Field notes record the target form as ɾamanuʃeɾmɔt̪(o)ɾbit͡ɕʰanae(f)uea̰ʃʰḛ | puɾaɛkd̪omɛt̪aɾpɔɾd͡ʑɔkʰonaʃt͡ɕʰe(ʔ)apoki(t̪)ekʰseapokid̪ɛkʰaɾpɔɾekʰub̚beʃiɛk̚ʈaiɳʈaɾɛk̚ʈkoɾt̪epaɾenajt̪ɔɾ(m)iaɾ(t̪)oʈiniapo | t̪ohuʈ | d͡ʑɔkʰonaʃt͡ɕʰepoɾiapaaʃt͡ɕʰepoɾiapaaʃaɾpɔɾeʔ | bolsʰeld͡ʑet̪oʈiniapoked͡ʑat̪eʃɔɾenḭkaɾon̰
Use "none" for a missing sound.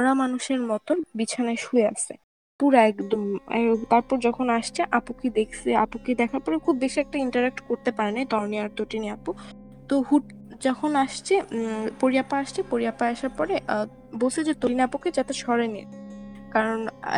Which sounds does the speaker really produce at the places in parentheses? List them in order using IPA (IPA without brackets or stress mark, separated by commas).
o, ʃ, ʔ, d̪, n, t̪